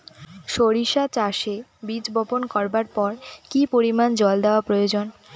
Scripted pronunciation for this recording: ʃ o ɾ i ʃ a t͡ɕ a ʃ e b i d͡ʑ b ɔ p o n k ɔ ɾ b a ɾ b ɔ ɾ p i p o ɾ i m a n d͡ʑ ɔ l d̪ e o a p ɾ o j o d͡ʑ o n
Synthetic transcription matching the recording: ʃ o ɾ i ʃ a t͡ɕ a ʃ e b i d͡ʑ b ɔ p o n k ɔ ɾ b a ɾ p ɔ ɾ k i p o ɾ i m a n d͡ʑ ɔ l d̪ e o a p ɾ o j o d͡ʑ o n